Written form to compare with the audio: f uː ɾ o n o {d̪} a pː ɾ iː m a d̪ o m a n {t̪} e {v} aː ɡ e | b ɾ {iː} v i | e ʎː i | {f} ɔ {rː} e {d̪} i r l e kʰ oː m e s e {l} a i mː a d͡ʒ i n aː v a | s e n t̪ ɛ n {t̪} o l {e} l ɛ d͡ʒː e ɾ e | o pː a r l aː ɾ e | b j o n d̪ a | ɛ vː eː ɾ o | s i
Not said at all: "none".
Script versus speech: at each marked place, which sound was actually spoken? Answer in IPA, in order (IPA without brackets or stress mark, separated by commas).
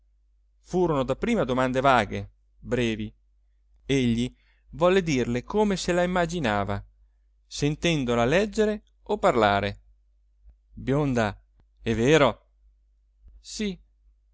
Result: d̪, d̪, v, ɛː, v, lː, d̪, l, d̪, a